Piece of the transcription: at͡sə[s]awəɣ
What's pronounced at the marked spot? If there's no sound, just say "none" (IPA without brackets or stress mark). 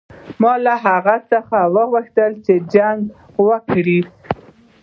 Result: x